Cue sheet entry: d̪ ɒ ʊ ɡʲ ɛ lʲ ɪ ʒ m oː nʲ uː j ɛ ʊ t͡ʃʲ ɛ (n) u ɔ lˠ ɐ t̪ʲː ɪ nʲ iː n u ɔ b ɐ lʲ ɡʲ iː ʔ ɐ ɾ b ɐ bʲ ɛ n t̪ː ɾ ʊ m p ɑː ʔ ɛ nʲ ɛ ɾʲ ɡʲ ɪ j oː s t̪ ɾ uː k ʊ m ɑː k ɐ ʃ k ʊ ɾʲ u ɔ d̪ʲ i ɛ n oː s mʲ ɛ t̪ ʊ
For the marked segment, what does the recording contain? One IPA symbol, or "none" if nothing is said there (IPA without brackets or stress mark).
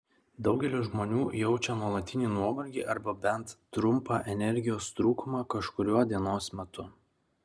n